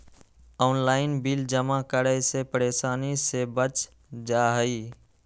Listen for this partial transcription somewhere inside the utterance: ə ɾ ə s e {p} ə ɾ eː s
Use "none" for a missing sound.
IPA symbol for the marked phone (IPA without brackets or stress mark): p